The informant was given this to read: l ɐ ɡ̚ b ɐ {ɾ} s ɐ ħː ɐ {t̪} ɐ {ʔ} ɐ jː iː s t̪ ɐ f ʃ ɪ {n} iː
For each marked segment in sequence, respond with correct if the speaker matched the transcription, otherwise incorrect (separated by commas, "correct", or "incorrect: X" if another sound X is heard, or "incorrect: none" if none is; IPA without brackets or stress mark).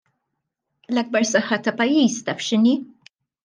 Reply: correct, correct, incorrect: p, correct